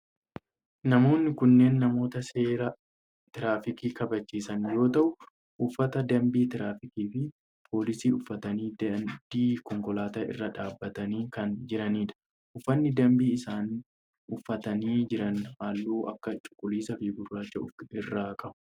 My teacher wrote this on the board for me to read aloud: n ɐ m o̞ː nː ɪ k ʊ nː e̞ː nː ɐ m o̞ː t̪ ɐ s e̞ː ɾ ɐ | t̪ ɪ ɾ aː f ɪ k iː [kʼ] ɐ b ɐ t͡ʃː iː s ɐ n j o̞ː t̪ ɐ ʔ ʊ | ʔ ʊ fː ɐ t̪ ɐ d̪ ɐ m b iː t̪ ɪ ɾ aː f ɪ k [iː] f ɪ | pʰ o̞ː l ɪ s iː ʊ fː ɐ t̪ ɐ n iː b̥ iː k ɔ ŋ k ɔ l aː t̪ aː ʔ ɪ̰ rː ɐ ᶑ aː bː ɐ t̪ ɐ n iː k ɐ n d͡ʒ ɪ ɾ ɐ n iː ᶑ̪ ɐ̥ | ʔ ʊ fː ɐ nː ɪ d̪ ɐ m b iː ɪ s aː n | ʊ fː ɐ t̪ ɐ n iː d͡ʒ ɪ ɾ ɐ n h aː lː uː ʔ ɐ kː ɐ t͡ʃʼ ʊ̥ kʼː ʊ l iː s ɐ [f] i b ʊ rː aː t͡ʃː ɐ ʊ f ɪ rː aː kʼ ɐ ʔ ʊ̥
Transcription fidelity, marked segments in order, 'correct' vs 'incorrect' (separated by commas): incorrect, correct, correct